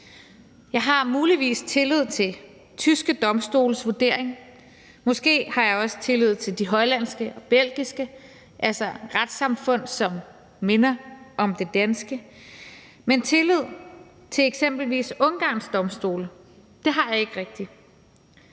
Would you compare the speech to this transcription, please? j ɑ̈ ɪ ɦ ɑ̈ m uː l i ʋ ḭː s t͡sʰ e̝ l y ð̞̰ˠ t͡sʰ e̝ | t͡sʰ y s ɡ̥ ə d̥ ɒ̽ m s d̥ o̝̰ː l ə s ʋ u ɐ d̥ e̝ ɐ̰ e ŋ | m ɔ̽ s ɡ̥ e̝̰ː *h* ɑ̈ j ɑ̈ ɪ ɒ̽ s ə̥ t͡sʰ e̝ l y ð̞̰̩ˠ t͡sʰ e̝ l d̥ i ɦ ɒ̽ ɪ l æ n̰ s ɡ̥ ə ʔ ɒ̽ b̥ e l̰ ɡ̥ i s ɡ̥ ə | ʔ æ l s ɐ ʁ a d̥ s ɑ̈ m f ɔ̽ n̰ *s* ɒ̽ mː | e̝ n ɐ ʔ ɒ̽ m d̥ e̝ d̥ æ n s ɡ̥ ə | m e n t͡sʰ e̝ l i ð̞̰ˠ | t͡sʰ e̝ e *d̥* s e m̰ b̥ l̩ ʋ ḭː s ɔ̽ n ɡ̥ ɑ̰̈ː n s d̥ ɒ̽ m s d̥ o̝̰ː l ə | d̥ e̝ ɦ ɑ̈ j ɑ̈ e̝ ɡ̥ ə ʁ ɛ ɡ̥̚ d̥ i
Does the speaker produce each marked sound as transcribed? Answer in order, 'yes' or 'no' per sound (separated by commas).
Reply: yes, yes, no